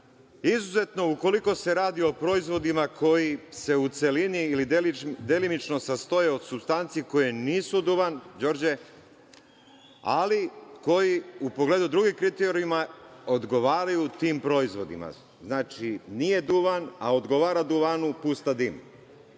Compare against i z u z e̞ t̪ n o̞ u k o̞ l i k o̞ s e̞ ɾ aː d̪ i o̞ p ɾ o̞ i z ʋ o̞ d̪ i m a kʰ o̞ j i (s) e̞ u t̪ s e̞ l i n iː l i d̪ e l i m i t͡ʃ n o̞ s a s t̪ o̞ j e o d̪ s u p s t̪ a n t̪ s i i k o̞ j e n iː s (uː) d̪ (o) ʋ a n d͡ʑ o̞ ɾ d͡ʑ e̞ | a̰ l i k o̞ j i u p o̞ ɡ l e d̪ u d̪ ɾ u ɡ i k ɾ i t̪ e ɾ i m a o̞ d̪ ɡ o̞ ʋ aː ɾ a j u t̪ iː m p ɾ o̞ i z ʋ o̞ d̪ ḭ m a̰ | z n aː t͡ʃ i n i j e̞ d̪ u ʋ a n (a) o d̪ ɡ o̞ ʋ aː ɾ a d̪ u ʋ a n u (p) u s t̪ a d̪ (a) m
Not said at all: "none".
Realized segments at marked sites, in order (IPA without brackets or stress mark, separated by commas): s, u, u, a, p, i